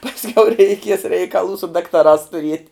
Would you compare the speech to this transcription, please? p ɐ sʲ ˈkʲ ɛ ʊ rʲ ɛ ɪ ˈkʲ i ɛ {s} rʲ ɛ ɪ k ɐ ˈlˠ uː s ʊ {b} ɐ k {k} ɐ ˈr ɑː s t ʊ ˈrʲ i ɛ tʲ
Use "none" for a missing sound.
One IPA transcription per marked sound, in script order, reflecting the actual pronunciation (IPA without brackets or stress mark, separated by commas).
s, d, t